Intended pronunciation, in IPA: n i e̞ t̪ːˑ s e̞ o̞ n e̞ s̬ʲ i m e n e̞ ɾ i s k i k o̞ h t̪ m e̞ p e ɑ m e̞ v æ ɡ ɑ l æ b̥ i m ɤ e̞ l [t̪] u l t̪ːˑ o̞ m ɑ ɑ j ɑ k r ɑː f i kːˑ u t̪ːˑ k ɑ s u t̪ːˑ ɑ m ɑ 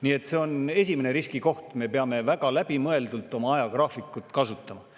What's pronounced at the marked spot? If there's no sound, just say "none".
d̪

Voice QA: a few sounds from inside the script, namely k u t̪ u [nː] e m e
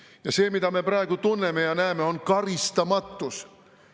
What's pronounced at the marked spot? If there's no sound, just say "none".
nː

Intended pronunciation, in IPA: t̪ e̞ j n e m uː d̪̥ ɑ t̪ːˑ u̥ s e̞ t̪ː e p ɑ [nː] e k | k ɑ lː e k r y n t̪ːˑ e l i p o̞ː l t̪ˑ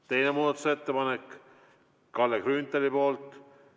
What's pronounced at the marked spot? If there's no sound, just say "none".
n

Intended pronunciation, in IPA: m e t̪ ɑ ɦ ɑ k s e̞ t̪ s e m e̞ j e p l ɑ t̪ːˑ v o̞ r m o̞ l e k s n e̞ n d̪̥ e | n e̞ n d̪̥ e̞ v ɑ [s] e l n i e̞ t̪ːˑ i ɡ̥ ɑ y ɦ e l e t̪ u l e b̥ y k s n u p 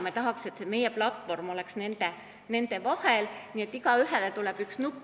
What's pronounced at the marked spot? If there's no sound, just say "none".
h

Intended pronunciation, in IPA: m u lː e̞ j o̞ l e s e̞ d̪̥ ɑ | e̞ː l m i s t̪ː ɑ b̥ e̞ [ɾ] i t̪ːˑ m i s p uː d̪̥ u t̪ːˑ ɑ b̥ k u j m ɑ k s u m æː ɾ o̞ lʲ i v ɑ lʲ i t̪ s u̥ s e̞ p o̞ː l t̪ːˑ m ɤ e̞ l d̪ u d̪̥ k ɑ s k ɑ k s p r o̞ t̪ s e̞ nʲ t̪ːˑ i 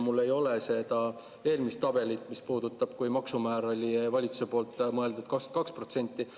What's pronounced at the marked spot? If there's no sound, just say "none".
l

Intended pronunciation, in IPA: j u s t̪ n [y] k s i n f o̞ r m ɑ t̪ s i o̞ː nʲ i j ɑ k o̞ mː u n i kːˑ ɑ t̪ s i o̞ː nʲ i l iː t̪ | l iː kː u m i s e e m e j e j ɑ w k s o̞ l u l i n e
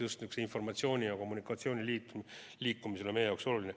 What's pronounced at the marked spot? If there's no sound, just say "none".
y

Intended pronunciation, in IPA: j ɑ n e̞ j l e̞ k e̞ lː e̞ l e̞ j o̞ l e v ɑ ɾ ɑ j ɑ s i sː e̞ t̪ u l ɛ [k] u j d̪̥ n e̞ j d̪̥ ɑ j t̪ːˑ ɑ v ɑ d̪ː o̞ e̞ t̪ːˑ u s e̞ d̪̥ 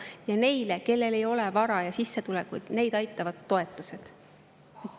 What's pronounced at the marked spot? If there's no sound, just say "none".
k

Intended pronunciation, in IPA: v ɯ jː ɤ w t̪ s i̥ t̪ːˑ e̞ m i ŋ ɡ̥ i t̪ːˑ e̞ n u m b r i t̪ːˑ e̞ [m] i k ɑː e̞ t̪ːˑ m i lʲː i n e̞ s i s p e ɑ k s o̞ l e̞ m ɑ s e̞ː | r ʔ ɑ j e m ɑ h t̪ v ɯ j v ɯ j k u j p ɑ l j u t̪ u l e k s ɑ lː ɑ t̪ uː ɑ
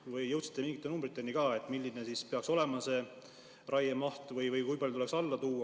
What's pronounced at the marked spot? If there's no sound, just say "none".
n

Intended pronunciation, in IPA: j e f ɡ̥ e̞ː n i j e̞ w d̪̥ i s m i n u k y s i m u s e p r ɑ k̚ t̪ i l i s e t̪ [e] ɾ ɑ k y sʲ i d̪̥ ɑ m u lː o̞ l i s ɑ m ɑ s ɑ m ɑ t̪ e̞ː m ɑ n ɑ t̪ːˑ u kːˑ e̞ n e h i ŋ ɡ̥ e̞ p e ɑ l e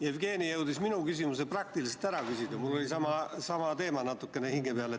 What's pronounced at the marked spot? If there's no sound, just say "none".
æ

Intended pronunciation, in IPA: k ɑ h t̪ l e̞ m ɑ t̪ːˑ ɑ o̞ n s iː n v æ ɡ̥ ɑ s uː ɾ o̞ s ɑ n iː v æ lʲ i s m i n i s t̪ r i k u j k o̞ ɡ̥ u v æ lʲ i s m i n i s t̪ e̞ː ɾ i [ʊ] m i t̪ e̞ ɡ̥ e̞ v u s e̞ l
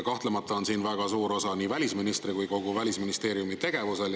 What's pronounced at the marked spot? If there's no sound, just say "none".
u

